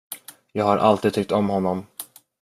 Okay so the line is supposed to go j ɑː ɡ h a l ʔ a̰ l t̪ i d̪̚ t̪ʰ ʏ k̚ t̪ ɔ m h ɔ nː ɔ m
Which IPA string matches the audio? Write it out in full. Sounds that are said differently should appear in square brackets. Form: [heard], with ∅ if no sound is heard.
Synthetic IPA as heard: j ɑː ɡ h a [ɾ] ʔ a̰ l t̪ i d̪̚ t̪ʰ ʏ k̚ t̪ ɔ m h ɔ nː ɔ m